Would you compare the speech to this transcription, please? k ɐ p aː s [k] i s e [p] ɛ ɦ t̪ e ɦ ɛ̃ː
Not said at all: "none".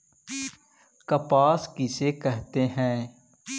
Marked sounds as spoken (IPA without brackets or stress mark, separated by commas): k, k